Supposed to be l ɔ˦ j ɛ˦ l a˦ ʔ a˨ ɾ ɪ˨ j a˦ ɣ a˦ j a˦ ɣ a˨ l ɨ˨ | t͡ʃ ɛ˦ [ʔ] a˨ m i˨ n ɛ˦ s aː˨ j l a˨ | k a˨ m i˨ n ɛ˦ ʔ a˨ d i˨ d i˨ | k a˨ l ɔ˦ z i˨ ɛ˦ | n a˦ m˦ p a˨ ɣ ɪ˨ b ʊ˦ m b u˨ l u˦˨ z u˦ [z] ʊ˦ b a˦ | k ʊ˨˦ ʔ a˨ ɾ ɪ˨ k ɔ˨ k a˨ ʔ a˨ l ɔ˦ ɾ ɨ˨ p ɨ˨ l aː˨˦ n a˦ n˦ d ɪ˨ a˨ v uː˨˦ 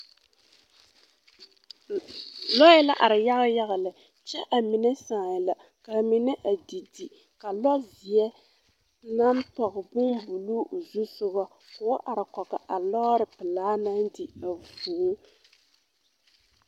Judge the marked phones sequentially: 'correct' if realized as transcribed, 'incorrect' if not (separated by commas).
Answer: correct, incorrect